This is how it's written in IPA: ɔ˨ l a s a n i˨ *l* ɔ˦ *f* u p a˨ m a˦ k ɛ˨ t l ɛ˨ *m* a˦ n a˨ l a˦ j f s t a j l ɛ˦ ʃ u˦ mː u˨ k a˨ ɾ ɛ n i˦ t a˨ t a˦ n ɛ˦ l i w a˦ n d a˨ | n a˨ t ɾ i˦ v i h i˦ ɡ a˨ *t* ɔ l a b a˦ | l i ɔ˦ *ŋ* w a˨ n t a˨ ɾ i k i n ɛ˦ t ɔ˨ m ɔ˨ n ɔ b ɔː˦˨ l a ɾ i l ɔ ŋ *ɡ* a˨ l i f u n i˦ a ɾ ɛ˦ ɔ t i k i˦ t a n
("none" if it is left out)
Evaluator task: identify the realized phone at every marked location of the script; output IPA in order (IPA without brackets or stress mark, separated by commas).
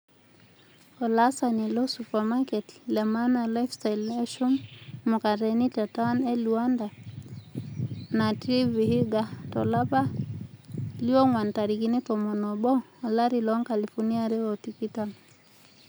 l, s, m, t, ŋ, k